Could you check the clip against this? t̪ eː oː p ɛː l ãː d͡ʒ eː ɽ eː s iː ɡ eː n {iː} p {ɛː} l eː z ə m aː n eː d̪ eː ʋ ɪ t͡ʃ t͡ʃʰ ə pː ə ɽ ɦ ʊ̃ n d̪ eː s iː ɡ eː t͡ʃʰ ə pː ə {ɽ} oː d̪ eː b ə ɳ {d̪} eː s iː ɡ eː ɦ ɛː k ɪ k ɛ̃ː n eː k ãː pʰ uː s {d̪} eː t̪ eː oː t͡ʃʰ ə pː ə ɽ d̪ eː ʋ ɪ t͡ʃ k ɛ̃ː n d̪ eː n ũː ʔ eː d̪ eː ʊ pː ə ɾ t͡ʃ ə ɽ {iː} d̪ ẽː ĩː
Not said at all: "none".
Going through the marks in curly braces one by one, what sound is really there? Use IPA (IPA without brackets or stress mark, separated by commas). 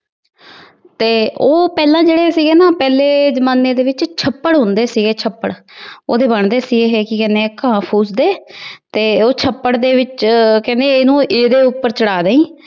aː, ɛː, ɽ, d̪, d̪, aː